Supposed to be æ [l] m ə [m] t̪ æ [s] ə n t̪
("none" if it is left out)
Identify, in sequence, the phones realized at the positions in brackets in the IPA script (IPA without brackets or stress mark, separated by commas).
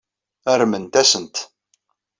ɾ, n, s